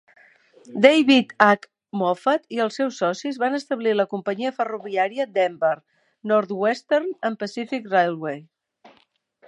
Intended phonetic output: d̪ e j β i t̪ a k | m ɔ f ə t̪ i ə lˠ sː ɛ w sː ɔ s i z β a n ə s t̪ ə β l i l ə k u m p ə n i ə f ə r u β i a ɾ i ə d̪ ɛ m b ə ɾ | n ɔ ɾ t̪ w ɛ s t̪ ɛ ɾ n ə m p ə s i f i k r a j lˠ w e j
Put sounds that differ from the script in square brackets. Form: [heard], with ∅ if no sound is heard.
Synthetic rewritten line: d̪ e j β i t̪ a k | m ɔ f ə t̪ i ə lˠ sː ɛ w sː ɔ s i z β a n ə s t̪ ə β l i l ə k u m p ə [ɲ] i ə f ə r u β i a ɾ i ə d̪ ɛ m b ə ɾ | n ɔ ɾ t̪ w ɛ s t̪ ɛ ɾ n ə m p ə s i f i k r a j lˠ w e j